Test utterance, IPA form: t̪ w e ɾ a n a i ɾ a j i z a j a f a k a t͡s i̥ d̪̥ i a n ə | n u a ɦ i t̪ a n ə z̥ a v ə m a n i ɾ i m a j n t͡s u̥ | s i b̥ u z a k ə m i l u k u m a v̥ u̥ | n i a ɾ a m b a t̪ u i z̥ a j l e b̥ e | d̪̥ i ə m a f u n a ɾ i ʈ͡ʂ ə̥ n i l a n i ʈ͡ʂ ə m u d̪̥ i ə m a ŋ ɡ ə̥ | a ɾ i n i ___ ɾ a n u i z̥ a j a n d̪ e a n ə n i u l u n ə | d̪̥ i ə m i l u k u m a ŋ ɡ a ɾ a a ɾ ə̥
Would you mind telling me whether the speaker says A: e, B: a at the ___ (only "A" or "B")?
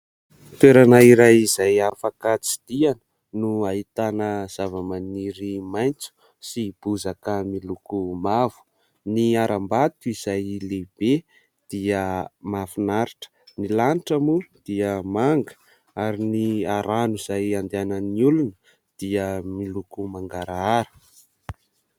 B